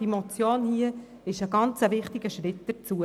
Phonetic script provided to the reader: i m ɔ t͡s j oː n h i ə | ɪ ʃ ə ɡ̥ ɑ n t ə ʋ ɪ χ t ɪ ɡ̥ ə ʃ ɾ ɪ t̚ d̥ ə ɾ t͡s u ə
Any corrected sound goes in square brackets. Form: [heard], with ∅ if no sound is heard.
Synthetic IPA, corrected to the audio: i m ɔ t͡s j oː n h i ə | ɪ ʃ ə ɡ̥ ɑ n [t͡s] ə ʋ ɪ χ t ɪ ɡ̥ ə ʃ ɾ ɪ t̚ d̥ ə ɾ t͡s u ə